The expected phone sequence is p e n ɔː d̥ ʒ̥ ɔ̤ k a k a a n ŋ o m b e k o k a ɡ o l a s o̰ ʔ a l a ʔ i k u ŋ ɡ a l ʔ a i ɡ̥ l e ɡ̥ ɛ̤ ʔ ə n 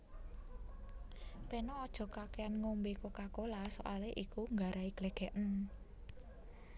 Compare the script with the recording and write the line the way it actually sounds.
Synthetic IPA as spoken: p e n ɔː d̥ ʒ̥ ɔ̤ k a k e a n ŋ o m b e k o k a k o l a s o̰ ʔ a l e ʔ i k u ŋ ɡ a ɾ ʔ a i ɡ̥ l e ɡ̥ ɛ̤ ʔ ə n